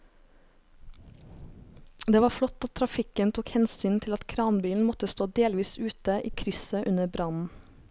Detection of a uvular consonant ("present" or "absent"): absent